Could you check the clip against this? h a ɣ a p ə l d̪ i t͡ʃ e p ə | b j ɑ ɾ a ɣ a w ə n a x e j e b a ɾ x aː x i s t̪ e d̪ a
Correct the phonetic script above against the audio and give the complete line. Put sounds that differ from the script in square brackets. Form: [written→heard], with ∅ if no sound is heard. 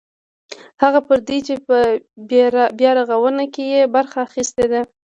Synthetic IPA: h a ɣ a p ə [l→ɾ] d̪ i t͡ʃ e p ə | b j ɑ ɾ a ɣ a w ə n a [x→k] e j e b a ɾ x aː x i s t̪ e d̪ a